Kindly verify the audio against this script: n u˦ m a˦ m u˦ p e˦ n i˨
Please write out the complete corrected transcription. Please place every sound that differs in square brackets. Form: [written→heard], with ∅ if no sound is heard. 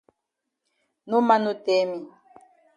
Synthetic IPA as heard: n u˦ m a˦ [m→n] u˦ [p→t] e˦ [n→m] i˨